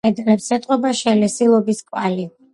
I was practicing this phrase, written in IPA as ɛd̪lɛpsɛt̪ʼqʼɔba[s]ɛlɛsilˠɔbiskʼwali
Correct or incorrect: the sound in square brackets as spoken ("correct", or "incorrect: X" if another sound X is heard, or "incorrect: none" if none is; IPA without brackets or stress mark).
incorrect: ʃ